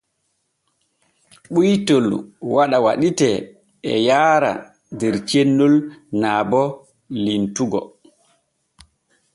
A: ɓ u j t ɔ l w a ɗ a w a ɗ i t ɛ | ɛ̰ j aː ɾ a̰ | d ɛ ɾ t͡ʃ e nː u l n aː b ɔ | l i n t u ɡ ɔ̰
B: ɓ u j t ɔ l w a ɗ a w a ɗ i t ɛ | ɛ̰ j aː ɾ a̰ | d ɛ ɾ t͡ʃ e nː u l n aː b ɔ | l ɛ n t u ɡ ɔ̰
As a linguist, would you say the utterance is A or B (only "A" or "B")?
A